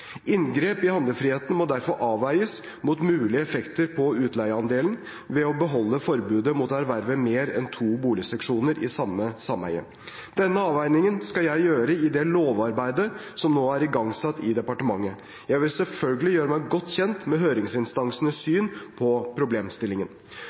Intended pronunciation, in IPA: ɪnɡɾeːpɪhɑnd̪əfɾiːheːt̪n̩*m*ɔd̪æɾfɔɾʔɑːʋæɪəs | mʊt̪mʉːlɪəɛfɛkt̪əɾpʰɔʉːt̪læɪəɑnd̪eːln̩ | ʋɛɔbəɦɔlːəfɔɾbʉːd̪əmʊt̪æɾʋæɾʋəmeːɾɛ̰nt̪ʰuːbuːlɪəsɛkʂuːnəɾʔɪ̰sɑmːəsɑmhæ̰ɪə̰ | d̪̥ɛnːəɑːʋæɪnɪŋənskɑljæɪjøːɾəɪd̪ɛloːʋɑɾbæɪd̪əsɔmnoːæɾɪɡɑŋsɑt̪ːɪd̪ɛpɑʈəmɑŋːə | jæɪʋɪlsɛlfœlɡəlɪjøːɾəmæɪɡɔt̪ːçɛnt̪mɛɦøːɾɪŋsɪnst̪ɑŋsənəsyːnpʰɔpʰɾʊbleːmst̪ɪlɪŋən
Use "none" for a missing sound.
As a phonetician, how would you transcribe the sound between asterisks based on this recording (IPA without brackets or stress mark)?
m